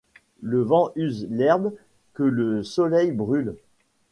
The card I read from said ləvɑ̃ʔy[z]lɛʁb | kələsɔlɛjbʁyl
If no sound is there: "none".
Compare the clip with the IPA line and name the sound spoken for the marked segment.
z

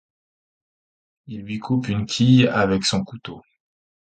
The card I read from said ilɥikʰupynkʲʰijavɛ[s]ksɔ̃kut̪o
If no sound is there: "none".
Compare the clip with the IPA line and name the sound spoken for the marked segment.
none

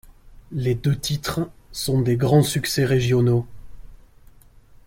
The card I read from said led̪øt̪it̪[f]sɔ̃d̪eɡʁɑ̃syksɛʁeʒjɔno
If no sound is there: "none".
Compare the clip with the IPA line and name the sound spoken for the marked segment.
χ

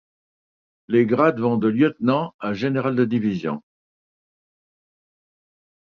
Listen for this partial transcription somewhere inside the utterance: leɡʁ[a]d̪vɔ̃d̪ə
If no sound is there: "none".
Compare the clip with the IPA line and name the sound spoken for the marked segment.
a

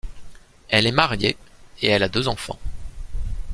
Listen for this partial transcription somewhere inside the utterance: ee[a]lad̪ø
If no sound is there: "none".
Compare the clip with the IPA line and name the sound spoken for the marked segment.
ɛ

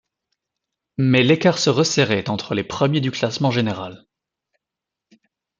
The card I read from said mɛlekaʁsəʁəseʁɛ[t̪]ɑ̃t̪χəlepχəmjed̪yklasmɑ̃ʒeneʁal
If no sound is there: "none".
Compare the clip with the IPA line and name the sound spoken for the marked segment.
t̪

